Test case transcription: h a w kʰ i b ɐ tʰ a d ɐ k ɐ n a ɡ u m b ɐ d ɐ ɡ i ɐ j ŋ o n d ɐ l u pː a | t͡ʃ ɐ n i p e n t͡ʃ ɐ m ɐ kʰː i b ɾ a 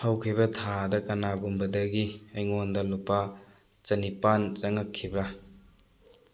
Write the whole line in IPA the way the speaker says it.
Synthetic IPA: h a w kʰ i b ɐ tʰ a d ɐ k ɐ n a ɡ u m b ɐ d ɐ ɡ i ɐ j ŋ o n d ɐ l u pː a | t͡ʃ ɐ n i p a n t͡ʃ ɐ ŋ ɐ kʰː i b ɾ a